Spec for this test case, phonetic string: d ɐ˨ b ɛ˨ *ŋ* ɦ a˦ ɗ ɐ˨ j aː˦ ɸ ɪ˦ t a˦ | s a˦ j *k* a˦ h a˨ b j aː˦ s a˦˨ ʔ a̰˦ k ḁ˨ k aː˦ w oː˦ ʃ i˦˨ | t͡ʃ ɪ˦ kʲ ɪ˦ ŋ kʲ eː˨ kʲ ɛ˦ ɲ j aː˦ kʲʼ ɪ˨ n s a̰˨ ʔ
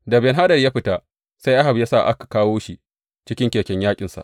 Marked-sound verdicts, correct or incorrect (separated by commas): incorrect, incorrect